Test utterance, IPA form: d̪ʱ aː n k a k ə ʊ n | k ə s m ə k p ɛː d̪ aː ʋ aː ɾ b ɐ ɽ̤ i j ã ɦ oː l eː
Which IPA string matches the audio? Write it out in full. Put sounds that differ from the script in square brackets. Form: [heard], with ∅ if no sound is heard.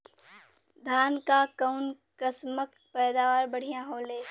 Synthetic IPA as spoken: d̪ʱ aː n k a k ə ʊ n | k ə s m ə k p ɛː d̪ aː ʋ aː ɾ b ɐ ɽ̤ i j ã ɦ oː l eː